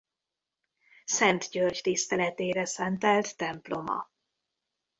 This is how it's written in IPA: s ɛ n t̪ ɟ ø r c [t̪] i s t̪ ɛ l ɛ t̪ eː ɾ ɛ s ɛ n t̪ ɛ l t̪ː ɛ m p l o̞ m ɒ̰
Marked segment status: correct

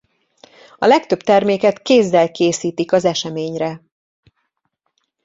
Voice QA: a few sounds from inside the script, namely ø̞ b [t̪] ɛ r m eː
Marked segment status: correct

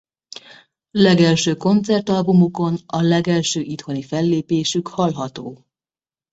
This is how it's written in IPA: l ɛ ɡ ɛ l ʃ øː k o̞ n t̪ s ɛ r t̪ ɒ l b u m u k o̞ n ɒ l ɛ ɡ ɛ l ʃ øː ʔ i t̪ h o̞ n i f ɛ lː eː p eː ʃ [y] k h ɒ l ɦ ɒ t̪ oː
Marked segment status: correct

